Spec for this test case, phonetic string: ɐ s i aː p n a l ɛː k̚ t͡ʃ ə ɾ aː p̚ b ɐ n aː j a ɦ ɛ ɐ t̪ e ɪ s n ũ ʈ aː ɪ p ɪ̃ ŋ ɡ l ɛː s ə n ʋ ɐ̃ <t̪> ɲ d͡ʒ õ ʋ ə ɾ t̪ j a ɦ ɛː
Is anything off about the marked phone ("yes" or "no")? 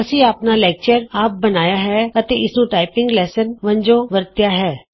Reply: yes